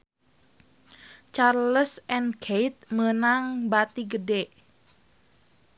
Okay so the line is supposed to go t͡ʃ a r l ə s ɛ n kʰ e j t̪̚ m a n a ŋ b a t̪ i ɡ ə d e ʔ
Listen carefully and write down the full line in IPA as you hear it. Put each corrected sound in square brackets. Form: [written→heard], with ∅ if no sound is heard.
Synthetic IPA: t͡ʃ a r l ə s ɛ n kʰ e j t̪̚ m [a→ə] n a ŋ b a t̪ i ɡ ə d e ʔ